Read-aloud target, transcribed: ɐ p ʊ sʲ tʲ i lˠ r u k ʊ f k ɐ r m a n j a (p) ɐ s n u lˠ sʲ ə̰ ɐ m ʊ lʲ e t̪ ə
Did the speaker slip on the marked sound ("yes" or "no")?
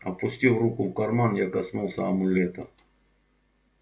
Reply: yes